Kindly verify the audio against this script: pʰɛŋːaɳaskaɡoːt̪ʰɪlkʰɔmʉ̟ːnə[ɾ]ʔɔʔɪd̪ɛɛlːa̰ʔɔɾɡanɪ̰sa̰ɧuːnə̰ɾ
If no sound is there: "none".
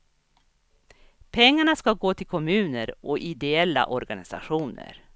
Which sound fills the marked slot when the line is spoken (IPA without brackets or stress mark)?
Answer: ɾ